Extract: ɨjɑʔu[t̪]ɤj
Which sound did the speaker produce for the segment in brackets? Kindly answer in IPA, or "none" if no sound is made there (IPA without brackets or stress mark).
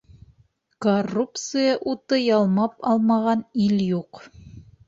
t̪